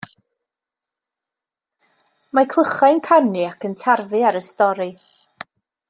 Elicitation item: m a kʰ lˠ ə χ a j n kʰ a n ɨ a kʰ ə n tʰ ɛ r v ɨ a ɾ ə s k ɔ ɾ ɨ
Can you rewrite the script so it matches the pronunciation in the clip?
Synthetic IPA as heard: m a kʰ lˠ ə χ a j n kʰ a n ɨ a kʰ ə n tʰ a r v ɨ a ɾ ə s t ɔ ɾ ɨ